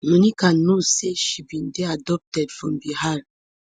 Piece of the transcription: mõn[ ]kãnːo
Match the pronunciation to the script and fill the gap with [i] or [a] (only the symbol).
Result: i